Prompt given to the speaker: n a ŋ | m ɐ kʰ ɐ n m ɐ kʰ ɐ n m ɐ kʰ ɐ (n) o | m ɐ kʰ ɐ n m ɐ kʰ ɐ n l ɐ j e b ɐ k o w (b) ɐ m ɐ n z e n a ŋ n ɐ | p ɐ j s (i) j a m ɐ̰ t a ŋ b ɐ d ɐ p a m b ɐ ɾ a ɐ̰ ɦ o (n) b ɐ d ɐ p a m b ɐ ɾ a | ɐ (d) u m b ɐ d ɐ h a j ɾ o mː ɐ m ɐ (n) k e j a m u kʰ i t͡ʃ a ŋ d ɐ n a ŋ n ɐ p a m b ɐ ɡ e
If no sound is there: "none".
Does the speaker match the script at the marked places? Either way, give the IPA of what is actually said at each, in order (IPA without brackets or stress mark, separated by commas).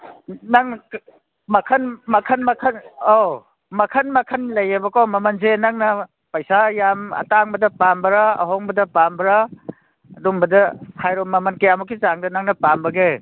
n, m, a, ŋ, d, n